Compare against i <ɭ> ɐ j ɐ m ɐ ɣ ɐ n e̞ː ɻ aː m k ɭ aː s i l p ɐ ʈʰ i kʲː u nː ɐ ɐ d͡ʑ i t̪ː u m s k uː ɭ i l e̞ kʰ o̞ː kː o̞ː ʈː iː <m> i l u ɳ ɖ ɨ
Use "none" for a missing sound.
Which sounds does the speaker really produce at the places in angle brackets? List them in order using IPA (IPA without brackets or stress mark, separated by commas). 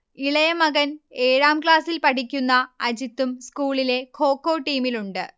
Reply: ɭ, m